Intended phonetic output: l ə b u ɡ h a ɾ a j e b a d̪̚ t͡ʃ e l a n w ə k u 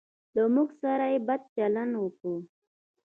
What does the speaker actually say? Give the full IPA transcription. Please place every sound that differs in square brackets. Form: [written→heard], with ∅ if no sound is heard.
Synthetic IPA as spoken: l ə [b→m] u ɡ [h→s] a ɾ a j e b a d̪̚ t͡ʃ [e→a] l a n w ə k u